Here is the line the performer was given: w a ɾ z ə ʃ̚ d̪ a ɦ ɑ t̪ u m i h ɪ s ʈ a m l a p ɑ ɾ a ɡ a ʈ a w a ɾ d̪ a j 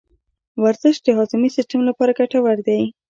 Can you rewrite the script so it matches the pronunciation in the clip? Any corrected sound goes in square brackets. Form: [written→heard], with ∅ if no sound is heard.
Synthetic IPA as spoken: w a ɾ z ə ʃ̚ d̪ [a→ə] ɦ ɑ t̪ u m i [h→s] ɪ s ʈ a m l a p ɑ ɾ a ɡ a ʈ a w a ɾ d̪ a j

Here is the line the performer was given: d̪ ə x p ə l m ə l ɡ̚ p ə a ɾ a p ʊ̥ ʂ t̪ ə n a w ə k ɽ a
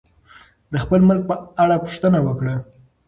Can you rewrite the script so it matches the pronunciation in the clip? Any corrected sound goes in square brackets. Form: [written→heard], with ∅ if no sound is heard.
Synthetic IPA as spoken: d̪ ə x p ə l m ə l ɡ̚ p ə a [ɾ→ɽ] a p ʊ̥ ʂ t̪ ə n a w ə k ɽ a

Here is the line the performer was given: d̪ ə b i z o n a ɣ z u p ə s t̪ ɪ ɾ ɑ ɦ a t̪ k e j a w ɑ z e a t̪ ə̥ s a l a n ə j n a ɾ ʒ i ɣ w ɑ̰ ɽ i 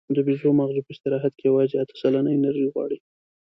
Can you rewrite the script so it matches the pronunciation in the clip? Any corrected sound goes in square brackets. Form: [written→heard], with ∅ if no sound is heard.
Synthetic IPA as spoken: d̪ ə b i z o [n→m] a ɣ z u p ə s t̪ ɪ ɾ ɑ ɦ a t̪ k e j a w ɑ z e a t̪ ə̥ s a l a n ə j n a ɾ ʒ i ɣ w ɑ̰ ɽ i

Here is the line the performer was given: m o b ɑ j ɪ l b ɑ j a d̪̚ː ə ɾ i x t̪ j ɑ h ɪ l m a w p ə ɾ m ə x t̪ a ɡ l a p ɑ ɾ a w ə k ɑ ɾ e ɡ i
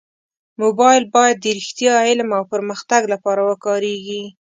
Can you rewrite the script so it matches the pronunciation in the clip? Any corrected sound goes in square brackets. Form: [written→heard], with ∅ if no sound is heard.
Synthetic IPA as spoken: m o b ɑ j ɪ l b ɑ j a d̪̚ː ə ɾ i x t̪ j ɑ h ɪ l m a w p ə ɾ m ə x t̪ a ɡ l a p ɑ ɾ a w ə k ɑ ɾ e ɡ i

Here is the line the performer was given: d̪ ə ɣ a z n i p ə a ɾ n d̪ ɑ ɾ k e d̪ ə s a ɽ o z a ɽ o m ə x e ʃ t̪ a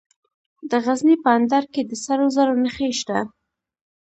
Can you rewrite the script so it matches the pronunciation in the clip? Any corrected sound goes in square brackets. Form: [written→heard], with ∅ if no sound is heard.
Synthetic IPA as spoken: d̪ ə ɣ a z n i p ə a [ɾ→∅] n d̪ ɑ ɾ k e d̪ ə s a [ɽ→ɾ] o z a [ɽ→ɾ] o [m→n] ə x e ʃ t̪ a

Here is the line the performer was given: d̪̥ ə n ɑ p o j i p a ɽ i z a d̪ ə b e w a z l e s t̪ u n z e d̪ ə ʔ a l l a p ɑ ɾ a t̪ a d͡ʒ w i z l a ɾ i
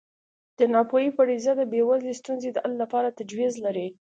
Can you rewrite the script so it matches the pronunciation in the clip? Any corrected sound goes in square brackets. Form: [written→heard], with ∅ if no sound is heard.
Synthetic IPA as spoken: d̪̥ ə n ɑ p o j i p a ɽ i z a d̪ ə b e w a z l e s t̪ u n z e d̪ ə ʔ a l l a p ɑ ɾ a t̪ a d͡ʒ w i z l a ɾ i

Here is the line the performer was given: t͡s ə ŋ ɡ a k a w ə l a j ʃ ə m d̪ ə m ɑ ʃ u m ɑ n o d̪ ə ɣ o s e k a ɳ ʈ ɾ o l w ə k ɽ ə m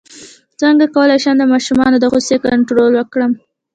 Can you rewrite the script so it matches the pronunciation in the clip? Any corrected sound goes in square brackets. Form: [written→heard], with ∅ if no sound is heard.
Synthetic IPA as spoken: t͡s ə ŋ ɡ a k a w ə l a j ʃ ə m d̪ ə m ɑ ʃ u m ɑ n o d̪ ə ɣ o s e k a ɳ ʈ ɾ o l w ə k ɽ ə m

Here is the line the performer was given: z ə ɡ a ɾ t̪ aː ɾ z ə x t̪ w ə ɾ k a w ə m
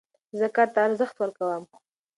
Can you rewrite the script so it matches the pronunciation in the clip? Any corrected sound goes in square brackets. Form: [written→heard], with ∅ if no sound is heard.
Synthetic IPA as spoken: z ə [ɡ→k] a ɾ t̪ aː ɾ z ə x t̪ w ə ɾ k a w ə m

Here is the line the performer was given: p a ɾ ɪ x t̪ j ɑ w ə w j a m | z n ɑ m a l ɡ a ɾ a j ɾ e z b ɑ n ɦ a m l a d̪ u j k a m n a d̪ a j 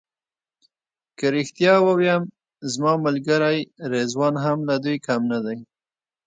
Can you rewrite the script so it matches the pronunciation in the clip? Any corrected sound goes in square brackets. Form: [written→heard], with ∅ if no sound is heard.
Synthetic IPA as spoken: [p→k] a ɾ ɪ x t̪ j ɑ w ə w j a m | z [n→m] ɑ m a l ɡ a ɾ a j ɾ e z [b→w] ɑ n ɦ a m l a d̪ u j k a m n a d̪ a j

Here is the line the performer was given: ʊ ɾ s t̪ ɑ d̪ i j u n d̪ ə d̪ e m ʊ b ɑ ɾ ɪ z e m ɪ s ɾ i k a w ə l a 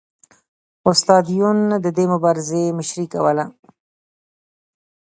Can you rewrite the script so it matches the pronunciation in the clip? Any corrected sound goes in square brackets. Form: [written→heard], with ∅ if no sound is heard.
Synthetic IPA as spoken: ʊ [ɾ→∅] s t̪ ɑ d̪ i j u n d̪ ə d̪ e m ʊ b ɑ ɾ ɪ z e m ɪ [s→ʃ] ɾ i k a w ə l a

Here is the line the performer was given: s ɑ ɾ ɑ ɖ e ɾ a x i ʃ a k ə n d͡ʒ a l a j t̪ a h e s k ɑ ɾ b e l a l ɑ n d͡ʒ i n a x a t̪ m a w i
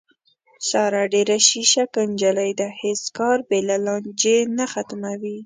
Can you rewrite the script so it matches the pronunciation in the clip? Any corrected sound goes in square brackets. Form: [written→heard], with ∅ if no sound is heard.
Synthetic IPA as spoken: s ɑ ɾ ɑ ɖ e ɾ a [x→ʃ] i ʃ a k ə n d͡ʒ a l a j [t̪→d̪] a h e s k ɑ ɾ b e l a l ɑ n d͡ʒ [i→e] n a x a t̪ m a w i

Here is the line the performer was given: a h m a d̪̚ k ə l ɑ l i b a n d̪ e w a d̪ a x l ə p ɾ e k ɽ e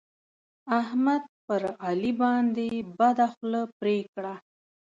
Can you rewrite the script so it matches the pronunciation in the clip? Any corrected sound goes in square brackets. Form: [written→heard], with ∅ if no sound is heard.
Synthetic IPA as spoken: a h m a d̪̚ [k→p] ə [l→ɾ] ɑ l i b [a→ɑ] n d̪ e [w→b] a d̪ a x l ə p ɾ e k ɽ [e→a]

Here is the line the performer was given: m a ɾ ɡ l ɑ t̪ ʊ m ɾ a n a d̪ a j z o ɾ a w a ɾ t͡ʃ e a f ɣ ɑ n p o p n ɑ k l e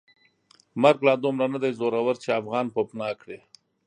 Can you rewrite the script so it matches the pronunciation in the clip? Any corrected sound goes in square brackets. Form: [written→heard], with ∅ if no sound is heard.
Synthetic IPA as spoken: m a ɾ ɡ l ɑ [t̪→d̪] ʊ m ɾ a n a d̪ a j z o ɾ a w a ɾ t͡ʃ e a f ɣ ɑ n p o p n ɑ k [l→ɽ] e

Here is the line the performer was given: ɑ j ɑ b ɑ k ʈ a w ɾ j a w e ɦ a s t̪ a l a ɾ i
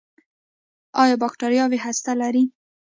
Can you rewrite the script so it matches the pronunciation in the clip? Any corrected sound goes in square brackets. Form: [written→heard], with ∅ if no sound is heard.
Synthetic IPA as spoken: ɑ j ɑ b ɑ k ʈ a [w→∅] ɾ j [a→ɑ] w e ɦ a s t̪ a l a ɾ i

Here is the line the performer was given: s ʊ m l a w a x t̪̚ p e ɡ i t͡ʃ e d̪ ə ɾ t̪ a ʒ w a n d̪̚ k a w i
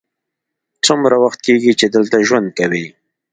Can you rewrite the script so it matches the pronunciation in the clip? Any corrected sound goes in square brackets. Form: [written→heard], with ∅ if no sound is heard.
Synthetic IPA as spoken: [s→t͡s] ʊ m [l→ɾ] a w a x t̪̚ [p→k] e ɡ i t͡ʃ e d̪ ə [ɾ→l] t̪ a ʒ w a n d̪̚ k a w i

